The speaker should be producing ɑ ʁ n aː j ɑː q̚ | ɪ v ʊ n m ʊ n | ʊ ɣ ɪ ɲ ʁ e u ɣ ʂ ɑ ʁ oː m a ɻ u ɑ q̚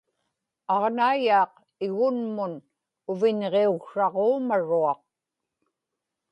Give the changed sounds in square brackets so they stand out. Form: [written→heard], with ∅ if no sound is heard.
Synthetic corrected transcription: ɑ ʁ n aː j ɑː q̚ | ɪ [v→ɣ] ʊ n m ʊ n | ʊ [ɣ→v] ɪ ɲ ʁ e u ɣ ʂ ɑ ʁ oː m a ɻ u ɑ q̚